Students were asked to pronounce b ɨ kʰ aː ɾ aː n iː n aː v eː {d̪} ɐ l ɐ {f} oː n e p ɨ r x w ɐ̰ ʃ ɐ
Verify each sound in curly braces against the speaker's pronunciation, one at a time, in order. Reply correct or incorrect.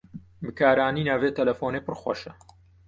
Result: incorrect: t̪, correct

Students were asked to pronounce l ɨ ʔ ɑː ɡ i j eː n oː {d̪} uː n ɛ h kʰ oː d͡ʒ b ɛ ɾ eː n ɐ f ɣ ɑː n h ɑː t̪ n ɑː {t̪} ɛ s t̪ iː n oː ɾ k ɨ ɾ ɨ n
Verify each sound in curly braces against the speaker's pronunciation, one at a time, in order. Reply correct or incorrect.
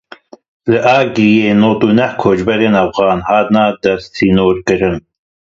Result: incorrect: t̪, incorrect: d̪

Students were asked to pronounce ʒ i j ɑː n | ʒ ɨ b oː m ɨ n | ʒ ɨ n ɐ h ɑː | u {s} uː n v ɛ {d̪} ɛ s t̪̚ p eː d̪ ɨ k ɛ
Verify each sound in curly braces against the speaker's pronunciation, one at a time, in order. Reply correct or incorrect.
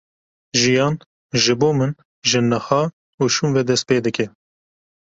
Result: incorrect: ʃ, correct

